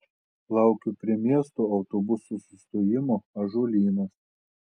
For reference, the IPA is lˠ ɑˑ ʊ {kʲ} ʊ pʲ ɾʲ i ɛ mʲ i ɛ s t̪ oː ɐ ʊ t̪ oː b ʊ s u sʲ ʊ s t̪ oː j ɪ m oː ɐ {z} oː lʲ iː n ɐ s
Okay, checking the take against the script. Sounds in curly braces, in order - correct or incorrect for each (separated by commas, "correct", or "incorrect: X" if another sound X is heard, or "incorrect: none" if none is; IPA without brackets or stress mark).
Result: correct, incorrect: ʒ